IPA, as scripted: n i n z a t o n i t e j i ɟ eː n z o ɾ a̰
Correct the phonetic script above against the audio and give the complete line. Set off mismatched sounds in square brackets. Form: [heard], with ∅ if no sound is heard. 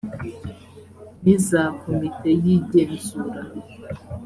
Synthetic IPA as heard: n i [∅] z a [k] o [m] i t e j i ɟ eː n z [u] ɾ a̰

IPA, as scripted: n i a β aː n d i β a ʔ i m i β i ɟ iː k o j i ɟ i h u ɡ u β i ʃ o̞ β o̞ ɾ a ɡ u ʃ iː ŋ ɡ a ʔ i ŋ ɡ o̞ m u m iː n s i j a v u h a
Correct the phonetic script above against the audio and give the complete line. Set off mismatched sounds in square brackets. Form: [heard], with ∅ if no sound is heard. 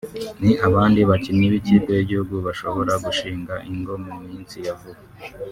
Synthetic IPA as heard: n i a β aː n d i β a [c] i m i β i [c] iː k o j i ɟ i h u ɡ u β [a] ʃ o̞ β o̞ ɾ a ɡ u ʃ iː ŋ ɡ a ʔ i ŋ ɡ o̞ m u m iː n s i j a v u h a

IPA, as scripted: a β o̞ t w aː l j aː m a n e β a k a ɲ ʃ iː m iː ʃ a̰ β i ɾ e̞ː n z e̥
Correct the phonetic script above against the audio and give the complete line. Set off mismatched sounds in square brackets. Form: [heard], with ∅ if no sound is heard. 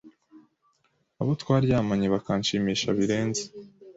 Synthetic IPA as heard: a β o̞ t w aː [ɾ] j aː m a [ɲ] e β a k a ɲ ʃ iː m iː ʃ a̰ β i ɾ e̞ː n z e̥

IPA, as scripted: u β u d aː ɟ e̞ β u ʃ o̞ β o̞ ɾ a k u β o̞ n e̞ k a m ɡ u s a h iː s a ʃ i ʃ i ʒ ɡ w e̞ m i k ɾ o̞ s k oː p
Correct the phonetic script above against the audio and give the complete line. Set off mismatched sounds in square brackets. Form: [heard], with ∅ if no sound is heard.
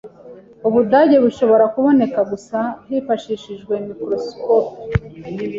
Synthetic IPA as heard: u β u d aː ɟ e̞ β u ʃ o̞ β o̞ ɾ a k u β o̞ n e̞ k a [∅] ɡ u s a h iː [f] a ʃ i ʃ i ʒ ɡ w e̞ m i k ɾ o̞ s k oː p

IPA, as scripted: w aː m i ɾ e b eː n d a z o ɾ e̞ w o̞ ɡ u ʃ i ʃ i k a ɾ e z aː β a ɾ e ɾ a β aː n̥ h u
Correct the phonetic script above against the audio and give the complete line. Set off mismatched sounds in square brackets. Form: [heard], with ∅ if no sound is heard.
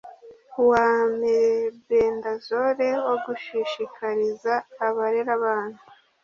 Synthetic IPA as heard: w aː m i ɾ e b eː n d a z o ɾ e̞ w o̞ ɡ u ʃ i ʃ i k a ɾ [i] z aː β a ɾ e ɾ a β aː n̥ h u

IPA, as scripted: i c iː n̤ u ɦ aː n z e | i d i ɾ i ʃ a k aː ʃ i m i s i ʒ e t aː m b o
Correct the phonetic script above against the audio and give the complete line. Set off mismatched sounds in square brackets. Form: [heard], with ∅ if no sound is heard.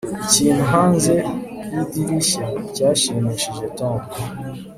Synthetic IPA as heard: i c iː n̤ u ɦ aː n z e | i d i ɾ i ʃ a [c] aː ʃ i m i [ʃ] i ʒ e t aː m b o

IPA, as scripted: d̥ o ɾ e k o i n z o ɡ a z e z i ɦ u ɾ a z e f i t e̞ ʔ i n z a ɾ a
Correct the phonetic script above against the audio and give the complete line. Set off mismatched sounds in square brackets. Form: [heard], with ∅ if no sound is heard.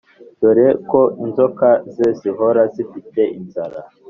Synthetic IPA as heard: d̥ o ɾ e k o i n z o [k] a z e z i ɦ [o] ɾ a z [i] f i t e̞ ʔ i n z a ɾ a

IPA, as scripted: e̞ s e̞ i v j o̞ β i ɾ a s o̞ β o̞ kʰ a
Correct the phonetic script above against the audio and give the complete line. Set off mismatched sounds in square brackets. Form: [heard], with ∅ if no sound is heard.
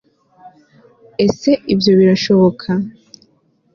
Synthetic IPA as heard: e̞ s e̞ i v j o̞ β i ɾ a [ʃ] o̞ β o̞ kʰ a

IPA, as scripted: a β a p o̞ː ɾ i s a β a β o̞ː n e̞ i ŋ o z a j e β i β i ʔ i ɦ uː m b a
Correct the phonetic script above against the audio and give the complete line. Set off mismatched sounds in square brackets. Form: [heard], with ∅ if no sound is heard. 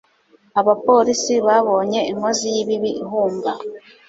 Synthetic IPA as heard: a β a p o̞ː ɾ i s [i] β a β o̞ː [ɲ] e̞ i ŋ o z [i] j [i] β i β i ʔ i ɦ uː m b a

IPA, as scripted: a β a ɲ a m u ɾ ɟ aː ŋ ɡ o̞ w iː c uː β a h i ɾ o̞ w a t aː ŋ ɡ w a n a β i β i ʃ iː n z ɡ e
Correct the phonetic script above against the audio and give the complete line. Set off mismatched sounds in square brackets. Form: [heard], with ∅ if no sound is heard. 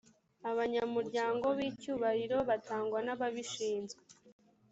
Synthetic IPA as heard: a β a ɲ a m u ɾ ɟ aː ŋ ɡ o̞ [β] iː c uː β a h i ɾ o̞ [β] a t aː ŋ ɡ w a n a β [a] β i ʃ iː n z ɡ e

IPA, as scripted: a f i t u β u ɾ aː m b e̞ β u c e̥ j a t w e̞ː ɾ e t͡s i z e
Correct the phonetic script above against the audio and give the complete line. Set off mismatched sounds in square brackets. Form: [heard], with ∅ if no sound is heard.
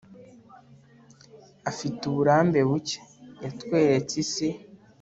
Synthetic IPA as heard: a f i t u β u ɾ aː m b e̞ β u c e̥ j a t w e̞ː ɾ e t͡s i [s] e

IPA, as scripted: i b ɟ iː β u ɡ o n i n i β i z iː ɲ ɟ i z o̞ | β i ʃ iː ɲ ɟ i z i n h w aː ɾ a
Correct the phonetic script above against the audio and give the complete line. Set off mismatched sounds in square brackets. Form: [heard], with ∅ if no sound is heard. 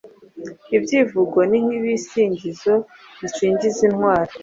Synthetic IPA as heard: i b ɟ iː [v] u ɡ o n i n i β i [s] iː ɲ ɟ i z o̞ | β i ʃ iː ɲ ɟ i z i n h w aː ɾ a

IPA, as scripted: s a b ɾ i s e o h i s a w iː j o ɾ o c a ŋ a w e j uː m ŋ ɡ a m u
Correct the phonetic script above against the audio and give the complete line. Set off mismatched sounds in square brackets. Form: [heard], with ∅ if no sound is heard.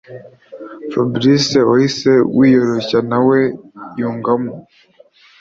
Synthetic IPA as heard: [f] a b ɾ i s e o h i s [e] w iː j o ɾ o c a [n] a w e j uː [∅] ŋ ɡ a m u

